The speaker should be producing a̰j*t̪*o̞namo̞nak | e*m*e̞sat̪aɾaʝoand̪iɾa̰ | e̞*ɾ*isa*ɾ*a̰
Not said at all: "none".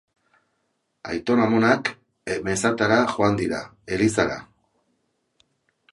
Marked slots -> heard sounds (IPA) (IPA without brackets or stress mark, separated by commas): t̪, m, l, ɾ